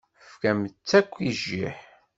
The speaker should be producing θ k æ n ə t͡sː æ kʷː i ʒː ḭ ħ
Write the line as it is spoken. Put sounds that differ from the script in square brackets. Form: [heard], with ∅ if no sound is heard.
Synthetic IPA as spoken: [f] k æ [m] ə t͡sː æ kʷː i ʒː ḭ ħ